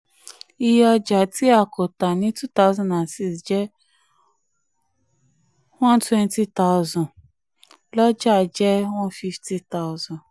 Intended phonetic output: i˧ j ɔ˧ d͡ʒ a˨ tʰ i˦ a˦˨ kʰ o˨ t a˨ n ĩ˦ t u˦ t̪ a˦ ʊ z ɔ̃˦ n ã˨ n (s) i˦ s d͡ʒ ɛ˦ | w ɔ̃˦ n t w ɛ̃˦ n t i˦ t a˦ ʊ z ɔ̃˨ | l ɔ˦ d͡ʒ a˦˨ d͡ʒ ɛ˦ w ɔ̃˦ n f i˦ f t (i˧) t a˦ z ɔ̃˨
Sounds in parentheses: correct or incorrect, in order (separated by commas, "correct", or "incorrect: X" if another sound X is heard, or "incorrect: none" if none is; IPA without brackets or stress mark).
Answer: correct, correct